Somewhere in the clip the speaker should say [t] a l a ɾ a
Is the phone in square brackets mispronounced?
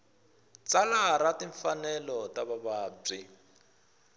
yes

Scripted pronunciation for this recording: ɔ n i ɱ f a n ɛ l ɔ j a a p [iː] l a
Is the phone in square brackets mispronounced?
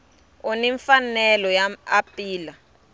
no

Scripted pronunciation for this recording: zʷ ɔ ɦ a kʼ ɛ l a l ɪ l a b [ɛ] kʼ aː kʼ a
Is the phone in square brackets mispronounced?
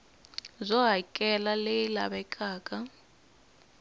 no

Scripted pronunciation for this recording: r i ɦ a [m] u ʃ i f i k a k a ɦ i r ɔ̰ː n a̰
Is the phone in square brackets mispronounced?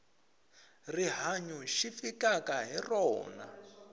yes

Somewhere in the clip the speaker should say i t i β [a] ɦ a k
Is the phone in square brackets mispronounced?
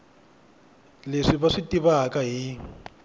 no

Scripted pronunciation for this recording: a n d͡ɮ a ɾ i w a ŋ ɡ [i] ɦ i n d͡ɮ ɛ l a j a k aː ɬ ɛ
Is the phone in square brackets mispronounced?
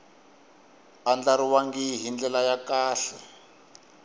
no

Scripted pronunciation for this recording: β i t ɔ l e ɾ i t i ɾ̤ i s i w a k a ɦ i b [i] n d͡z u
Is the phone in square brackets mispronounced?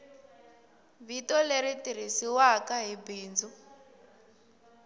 yes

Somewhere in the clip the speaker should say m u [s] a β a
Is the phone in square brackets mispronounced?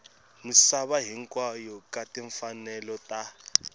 no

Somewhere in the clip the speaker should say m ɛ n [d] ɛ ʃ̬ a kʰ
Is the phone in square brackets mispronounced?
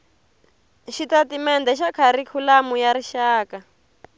no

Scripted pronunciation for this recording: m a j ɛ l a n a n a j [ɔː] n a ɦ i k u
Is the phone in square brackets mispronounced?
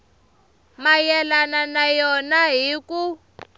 yes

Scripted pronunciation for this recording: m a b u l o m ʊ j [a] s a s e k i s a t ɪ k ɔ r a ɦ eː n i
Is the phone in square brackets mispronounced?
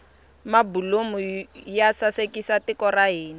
no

